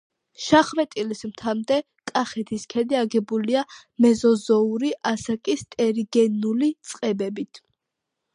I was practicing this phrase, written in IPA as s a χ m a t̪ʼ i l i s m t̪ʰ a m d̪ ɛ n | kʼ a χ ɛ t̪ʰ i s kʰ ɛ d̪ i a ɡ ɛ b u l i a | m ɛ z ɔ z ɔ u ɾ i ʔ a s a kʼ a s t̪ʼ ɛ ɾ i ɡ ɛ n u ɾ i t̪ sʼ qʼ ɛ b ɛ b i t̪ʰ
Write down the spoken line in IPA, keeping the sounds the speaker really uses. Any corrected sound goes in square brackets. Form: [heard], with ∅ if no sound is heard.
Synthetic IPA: [ʃ] a χ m [ɛ] t̪ʼ i l i s m t̪ʰ a m d̪ ɛ [∅] | kʼ a χ ɛ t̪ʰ i s kʰ ɛ d̪ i a ɡ ɛ b u l i a | m ɛ z ɔ z ɔ u ɾ i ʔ a s a kʼ [i] s t̪ʼ ɛ ɾ i ɡ ɛ n u [l] i t̪ sʼ qʼ ɛ b ɛ b i t̪ʰ